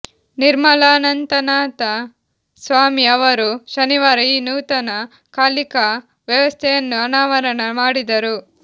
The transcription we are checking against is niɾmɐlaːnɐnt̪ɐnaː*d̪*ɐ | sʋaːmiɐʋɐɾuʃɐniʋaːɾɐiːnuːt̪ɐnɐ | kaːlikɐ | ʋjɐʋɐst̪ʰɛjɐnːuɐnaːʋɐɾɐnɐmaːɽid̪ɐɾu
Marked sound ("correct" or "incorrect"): incorrect